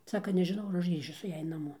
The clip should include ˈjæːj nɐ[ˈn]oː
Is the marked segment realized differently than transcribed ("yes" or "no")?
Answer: yes